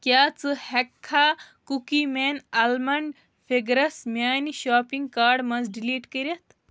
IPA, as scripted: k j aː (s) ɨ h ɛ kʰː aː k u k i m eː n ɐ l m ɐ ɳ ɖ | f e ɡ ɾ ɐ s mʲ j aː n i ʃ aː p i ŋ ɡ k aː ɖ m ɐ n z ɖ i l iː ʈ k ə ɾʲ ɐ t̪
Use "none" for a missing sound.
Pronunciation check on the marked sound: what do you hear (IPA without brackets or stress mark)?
t͡s